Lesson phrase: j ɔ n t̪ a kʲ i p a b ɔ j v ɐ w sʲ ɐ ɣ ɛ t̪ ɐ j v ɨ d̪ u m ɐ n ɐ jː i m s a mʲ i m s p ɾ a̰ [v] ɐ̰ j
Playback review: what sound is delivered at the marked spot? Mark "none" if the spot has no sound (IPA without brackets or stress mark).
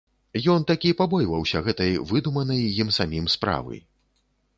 v